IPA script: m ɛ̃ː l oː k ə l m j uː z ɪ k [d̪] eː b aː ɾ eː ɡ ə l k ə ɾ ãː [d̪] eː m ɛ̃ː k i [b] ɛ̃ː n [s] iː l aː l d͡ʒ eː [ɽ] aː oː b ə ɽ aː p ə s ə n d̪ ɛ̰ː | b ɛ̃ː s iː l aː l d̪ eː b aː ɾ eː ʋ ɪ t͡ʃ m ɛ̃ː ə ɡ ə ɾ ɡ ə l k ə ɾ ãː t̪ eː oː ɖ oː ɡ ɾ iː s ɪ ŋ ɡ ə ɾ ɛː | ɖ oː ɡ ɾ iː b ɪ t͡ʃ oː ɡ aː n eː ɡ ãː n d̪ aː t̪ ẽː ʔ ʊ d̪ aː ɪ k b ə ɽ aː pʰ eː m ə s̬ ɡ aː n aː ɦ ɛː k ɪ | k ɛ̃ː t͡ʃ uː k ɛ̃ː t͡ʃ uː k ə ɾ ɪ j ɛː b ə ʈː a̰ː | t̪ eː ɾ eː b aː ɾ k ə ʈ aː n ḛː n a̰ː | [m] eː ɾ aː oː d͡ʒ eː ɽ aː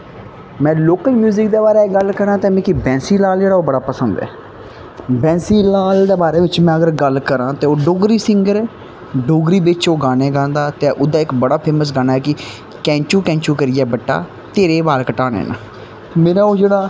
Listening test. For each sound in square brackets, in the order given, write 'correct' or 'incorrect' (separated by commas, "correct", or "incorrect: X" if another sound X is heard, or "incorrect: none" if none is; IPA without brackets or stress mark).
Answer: correct, incorrect: t̪, correct, correct, correct, correct